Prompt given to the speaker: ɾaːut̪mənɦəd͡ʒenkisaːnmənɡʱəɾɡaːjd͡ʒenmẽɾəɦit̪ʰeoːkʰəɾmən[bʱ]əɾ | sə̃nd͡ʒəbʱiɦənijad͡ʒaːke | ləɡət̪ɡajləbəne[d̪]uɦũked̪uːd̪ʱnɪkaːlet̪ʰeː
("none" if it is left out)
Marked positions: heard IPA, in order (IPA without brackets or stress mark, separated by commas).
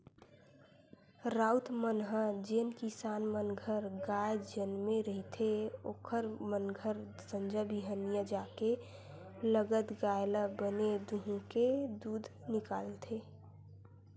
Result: ɡʱ, d̪